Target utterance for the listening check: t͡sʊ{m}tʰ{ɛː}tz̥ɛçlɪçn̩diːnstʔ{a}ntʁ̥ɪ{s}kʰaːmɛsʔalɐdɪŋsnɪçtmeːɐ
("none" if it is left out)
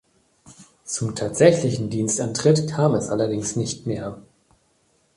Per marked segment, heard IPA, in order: m, aː, a, t

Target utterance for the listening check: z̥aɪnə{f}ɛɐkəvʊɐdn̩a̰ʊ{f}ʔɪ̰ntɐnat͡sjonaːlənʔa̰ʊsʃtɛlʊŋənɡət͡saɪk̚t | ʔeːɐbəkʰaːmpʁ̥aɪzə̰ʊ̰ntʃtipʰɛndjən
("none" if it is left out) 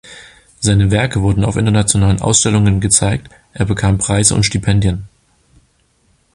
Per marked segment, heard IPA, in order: v, f

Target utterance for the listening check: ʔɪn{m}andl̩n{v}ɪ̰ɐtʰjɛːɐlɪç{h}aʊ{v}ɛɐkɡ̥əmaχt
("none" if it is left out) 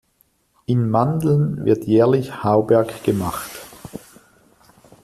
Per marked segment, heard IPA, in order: m, v, h, b

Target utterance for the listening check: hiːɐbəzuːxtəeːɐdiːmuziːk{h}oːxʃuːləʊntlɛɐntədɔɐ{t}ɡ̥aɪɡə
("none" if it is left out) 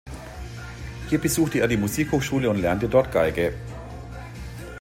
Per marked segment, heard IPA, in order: h, t

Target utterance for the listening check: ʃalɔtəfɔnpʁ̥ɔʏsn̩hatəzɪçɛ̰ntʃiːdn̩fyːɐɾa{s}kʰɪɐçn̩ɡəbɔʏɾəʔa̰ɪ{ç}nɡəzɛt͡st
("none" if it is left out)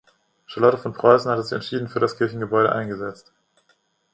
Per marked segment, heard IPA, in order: s, none

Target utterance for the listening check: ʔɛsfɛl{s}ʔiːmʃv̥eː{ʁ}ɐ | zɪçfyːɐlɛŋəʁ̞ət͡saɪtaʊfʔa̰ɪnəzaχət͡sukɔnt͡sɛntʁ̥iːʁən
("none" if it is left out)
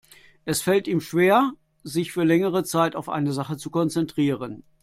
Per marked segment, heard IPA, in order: t, none

